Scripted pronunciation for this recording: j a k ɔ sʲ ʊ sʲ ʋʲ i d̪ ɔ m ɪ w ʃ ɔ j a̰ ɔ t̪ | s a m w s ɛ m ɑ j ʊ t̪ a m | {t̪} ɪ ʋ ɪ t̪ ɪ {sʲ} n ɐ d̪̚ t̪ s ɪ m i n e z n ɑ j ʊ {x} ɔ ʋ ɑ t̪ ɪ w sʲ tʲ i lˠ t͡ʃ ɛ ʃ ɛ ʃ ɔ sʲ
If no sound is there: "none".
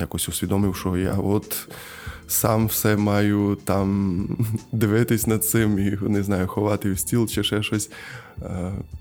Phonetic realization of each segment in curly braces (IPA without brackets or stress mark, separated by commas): d̪, sʲ, x